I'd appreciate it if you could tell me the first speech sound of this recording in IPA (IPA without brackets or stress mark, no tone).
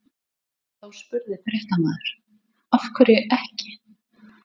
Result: θ